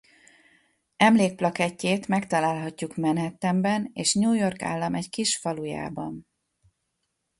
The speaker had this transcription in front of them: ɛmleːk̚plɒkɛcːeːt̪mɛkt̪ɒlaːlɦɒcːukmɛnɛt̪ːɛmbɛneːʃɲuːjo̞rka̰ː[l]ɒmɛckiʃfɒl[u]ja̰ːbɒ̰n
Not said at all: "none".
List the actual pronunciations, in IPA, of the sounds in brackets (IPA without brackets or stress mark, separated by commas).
lː, u